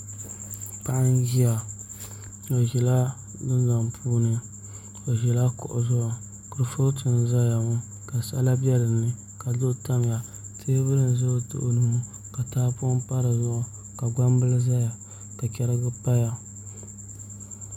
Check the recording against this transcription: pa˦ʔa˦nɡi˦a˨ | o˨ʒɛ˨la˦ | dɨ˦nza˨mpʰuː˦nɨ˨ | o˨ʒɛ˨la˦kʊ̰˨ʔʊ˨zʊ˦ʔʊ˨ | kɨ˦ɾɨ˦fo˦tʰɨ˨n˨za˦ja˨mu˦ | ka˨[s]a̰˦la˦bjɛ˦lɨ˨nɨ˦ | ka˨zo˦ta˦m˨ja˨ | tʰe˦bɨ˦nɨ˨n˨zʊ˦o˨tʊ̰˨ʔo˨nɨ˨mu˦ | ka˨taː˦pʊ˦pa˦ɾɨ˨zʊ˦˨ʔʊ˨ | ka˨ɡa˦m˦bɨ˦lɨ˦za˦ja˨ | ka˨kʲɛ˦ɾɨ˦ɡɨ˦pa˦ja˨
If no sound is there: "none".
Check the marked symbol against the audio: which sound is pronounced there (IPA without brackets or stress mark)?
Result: s